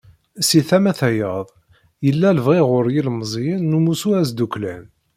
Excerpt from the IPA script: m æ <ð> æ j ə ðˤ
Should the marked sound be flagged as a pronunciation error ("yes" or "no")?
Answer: yes